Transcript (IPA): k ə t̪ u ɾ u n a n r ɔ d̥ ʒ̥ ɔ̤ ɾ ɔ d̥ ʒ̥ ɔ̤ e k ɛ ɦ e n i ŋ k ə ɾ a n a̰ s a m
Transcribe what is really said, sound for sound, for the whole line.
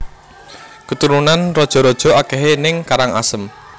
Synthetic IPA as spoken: k ə t̪ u ɾ u n a n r ɔ d̥ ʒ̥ ɔ̤ ɾ ɔ d̥ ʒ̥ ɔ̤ a k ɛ ɦ e n ɪ ŋ k a ɾ a ŋ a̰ s ə m